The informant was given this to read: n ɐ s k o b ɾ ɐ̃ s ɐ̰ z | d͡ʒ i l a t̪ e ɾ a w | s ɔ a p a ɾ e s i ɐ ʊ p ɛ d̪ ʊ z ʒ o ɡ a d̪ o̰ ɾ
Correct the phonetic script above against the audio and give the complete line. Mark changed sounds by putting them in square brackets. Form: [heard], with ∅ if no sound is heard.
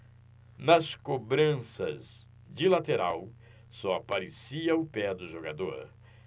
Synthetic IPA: n ɐ s k o b ɾ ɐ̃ s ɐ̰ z | d͡ʒ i l a t̪ e ɾ a w | s ɔ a p a ɾ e s i ɐ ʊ p ɛ d̪ ʊ [∅] ʒ o ɡ a d̪ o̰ ɾ